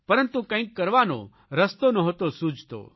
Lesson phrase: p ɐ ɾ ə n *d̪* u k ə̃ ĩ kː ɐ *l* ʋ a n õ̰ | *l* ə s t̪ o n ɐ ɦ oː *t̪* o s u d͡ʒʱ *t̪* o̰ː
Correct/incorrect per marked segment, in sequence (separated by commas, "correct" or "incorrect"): incorrect, incorrect, incorrect, correct, correct